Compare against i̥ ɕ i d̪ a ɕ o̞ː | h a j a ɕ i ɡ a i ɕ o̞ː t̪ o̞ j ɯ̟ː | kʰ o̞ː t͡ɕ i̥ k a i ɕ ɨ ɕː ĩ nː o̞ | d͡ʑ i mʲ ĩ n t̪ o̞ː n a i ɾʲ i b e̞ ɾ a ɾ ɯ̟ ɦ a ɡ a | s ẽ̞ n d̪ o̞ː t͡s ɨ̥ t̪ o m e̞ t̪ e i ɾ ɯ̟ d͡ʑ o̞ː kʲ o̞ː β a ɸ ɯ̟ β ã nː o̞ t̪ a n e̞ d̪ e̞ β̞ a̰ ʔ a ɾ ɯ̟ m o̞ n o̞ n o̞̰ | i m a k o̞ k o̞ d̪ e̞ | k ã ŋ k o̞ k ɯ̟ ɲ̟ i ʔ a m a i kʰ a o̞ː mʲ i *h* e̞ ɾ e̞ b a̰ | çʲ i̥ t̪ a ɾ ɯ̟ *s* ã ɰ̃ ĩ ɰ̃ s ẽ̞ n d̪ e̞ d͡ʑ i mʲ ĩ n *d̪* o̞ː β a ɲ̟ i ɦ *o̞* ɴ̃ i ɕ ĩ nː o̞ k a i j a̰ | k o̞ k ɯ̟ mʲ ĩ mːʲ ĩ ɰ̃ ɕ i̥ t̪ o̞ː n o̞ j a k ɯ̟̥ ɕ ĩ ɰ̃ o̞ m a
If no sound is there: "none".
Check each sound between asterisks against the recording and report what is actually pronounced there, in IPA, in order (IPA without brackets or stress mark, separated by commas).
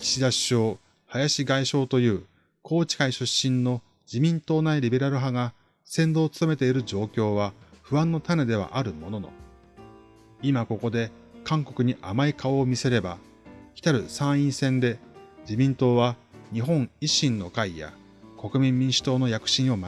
s, s, t̪, õ̞